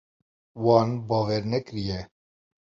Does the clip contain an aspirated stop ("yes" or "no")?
no